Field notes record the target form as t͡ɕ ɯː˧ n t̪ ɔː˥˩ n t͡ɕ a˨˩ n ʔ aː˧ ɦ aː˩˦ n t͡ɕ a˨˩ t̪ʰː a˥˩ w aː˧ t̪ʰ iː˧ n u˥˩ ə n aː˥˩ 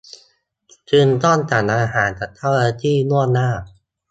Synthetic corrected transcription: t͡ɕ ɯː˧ n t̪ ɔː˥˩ n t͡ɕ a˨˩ n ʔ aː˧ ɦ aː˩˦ n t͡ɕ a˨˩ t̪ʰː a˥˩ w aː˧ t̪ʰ iː˥˩ n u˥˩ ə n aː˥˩